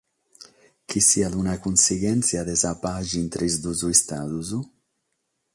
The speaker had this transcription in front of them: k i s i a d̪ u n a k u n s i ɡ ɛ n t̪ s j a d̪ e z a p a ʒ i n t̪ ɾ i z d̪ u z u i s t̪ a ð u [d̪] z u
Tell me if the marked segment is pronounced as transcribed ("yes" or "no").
no